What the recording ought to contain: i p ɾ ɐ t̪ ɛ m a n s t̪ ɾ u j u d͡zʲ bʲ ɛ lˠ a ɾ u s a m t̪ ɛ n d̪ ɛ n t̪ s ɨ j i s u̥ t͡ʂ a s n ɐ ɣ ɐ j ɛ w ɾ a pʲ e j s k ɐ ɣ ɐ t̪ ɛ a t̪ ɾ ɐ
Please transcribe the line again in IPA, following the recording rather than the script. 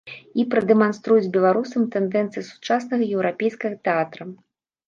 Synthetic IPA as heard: i p ɾ ɐ d̪ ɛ m a n s t̪ ɾ u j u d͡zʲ bʲ ɛ lˠ a ɾ u s ɐ m t̪ ɛ n d̪ ɛ n t̪ s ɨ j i s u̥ t͡ʂ a s n ɐ ɣ ɐ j ɛ w ɾ a pʲ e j s k ɐ ɣ ɐ t̪ ɛ a t̪ ɾ ɐ